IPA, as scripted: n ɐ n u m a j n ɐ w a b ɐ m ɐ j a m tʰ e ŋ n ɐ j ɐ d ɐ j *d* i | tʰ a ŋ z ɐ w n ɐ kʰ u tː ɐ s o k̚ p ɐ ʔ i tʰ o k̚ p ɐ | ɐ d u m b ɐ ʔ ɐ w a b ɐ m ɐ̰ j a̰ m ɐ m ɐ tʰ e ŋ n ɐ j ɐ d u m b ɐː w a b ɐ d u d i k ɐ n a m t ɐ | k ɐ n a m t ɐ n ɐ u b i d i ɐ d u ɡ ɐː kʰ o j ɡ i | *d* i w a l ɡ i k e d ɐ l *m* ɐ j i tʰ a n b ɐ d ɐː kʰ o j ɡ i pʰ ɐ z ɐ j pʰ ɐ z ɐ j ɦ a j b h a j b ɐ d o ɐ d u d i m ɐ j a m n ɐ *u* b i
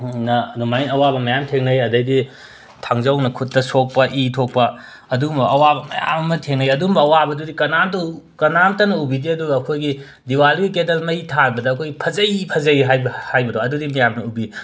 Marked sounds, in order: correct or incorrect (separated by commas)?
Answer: correct, correct, correct, correct